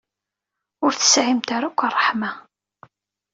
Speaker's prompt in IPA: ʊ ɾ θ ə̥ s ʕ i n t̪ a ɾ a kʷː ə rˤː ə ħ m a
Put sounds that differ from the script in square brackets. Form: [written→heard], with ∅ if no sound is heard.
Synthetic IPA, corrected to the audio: ʊ ɾ θ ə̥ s ʕ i [n→m] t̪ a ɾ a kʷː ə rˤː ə ħ m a